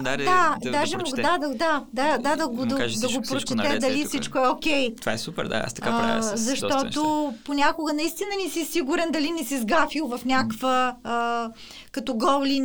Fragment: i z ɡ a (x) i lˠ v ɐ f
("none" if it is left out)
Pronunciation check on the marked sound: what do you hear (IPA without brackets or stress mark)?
f